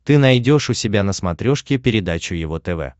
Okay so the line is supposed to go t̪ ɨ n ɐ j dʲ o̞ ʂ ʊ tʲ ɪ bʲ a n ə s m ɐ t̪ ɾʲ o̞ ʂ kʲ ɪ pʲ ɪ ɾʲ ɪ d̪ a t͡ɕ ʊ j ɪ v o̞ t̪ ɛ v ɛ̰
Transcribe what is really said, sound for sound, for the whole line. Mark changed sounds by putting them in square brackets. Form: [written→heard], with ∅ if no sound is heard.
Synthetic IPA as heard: t̪ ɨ n ɐ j dʲ o̞ ʂ ʊ [tʲ→sʲ] ɪ bʲ a n ə s m ɐ t̪ ɾʲ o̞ ʂ kʲ ɪ pʲ ɪ ɾʲ ɪ d̪ a t͡ɕ ʊ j ɪ v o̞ t̪ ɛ v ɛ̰